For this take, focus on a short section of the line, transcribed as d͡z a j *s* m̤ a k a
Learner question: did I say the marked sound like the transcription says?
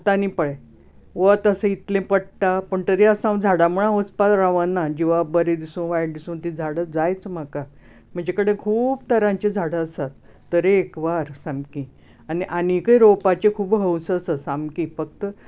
no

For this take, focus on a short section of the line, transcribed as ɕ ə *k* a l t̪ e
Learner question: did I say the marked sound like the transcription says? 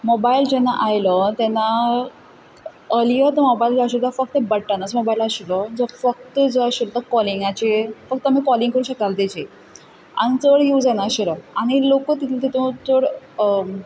yes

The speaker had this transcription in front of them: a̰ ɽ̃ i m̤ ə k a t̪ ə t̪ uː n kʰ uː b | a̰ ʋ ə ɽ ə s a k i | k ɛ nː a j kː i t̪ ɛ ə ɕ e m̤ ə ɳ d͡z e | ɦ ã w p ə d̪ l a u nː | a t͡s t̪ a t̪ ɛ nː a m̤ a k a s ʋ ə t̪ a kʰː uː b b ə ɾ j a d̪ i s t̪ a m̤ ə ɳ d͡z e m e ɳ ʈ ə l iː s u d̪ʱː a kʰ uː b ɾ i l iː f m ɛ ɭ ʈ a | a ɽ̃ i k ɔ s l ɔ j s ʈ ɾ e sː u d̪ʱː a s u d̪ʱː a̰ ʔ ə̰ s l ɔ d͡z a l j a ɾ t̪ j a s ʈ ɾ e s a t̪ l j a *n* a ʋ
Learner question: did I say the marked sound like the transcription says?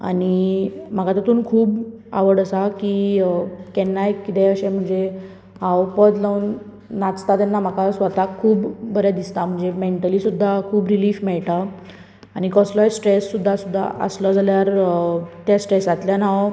yes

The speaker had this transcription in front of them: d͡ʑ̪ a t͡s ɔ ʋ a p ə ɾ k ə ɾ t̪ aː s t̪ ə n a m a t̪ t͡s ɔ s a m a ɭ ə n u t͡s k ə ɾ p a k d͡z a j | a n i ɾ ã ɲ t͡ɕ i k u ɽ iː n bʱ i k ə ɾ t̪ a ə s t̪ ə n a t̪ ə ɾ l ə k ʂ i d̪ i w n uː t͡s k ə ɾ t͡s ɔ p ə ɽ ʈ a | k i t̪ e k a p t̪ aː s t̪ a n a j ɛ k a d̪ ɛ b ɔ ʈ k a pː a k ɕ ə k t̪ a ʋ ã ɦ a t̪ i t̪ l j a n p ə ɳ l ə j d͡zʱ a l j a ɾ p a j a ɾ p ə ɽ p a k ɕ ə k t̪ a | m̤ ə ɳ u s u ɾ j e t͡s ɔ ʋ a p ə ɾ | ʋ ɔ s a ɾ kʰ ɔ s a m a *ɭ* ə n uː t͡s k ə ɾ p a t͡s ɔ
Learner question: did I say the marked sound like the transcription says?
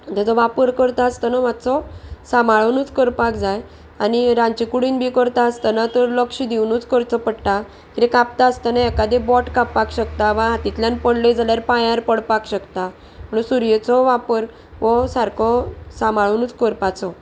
yes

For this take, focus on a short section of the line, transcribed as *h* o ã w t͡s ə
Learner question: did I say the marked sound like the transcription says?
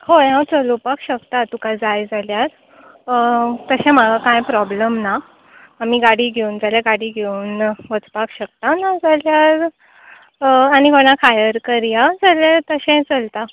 yes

